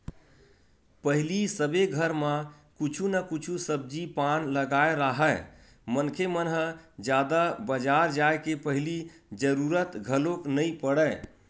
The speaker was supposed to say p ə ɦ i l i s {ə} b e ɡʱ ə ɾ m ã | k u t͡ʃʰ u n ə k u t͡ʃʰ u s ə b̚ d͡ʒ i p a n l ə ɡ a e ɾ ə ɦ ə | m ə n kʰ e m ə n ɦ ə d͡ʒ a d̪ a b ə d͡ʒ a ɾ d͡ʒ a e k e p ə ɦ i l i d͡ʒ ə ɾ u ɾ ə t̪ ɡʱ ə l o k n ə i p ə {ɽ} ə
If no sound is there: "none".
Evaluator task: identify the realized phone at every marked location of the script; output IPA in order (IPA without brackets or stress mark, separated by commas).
ə, ɽ